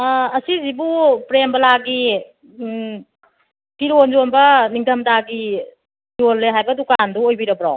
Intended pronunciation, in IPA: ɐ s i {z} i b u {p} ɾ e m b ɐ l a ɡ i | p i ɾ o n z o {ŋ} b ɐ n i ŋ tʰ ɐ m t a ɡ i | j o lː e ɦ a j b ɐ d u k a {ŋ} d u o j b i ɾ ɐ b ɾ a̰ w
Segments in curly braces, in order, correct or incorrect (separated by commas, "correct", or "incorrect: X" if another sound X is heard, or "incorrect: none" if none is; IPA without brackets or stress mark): correct, correct, incorrect: n, incorrect: n